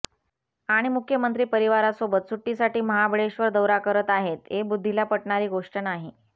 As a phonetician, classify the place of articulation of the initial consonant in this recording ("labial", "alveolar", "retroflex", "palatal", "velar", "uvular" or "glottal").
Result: retroflex